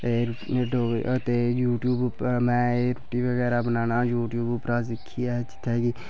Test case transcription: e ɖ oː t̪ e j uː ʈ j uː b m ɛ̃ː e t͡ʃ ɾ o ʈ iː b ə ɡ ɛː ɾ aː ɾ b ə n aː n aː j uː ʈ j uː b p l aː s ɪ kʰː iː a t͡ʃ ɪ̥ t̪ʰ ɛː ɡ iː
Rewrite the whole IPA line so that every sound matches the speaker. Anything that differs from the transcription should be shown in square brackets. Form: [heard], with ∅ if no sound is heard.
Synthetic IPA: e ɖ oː t̪ e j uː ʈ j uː b m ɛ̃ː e [∅] ɾ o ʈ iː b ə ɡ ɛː ɾ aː [∅] b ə n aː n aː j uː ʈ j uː b p [ɾ] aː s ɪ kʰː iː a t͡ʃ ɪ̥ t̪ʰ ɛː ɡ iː

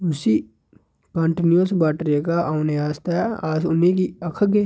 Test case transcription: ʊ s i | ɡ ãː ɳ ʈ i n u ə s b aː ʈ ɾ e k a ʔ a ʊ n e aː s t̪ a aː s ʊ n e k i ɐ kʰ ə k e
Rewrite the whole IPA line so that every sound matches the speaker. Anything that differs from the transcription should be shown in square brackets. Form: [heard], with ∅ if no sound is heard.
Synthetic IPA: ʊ s i | [k] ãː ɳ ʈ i n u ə s b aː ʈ ɾ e k a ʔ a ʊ n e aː s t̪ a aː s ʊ n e k i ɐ kʰ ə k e

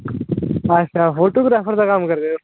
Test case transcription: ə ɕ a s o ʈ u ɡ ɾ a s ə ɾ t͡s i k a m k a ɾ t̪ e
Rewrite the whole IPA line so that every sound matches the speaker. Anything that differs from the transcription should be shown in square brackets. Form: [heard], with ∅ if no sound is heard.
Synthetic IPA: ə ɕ a [f] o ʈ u ɡ ɾ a [f] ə ɾ t͡s [a] k a m k [ə] ɾ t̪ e

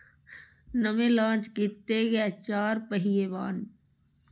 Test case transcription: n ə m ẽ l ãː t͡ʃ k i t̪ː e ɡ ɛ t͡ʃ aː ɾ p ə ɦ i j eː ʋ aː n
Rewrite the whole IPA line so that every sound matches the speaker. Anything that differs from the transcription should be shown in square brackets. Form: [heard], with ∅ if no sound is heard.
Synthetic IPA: n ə m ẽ l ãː t͡ʃ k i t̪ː e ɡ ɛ t͡ʃ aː ɾ p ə ɦ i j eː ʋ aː n

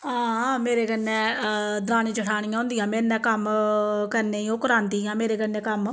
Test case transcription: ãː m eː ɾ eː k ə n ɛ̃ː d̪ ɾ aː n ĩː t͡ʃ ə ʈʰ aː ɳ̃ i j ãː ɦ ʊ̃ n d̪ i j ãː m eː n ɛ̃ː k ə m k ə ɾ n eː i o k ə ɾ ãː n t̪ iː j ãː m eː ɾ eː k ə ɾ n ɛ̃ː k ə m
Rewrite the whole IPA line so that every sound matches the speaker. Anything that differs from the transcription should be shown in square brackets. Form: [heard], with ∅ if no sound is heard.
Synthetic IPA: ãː m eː ɾ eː k ə n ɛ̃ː d̪ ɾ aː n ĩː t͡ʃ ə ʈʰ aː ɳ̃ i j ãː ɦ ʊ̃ n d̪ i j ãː m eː n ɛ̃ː k ə m k ə ɾ n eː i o k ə ɾ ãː n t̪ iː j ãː m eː ɾ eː k ə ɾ n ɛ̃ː k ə m

